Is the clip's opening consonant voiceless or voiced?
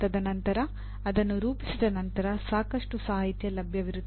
voiced